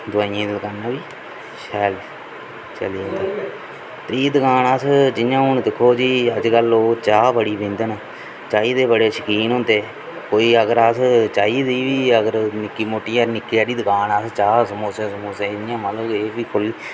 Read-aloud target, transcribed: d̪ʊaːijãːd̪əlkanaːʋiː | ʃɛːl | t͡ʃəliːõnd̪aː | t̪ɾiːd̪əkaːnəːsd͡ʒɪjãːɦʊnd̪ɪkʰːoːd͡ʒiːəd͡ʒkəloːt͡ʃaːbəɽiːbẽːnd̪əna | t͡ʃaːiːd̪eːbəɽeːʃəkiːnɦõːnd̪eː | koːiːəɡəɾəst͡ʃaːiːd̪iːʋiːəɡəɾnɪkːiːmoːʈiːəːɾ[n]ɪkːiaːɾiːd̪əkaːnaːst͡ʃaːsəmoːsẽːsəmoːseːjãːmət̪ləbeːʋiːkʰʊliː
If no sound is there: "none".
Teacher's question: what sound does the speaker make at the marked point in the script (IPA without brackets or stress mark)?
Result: n